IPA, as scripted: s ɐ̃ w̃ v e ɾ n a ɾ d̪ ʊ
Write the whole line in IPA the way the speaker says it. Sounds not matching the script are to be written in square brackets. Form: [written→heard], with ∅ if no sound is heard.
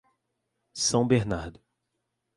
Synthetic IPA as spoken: s ɐ̃ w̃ [v→b] e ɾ n a ɾ d̪ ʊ